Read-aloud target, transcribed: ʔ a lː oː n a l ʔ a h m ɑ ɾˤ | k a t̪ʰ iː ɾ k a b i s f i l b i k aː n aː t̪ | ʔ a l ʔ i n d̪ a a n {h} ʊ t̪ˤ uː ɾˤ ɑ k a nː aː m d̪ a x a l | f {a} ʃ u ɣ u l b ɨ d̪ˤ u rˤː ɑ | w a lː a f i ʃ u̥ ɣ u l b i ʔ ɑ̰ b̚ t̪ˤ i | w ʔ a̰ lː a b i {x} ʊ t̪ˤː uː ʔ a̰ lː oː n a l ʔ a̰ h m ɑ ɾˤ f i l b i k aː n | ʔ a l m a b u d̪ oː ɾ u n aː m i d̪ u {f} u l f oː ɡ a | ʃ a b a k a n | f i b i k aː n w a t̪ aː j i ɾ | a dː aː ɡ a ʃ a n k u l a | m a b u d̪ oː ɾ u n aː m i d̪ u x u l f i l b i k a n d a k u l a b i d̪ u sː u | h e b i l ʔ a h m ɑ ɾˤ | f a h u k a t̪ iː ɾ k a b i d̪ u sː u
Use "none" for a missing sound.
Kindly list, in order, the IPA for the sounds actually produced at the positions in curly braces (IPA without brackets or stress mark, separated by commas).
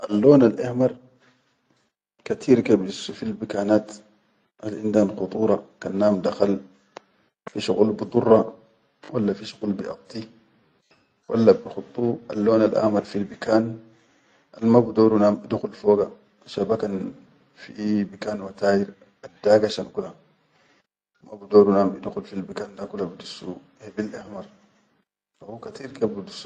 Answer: x, i, x, x